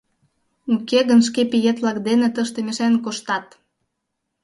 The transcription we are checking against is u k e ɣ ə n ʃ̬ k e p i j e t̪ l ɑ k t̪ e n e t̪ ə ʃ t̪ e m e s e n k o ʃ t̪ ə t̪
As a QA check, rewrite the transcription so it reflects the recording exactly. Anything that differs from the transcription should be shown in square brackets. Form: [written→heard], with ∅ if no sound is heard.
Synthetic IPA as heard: u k e ɣ ə n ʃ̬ k e p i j e t̪ l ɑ k [t̪→d̪] e n e t̪ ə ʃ t̪ e m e [s→ʃ] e n k o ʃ t̪ [ə→ɑ] t̪